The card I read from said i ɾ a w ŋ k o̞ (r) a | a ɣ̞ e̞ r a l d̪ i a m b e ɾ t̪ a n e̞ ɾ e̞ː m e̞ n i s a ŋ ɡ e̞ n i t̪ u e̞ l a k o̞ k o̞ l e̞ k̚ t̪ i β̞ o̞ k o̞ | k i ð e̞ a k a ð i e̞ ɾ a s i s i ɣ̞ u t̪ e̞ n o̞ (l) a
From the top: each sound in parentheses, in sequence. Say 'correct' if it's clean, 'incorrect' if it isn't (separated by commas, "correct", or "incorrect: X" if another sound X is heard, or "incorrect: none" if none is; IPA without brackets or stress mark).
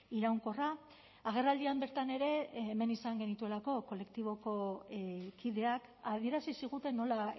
correct, correct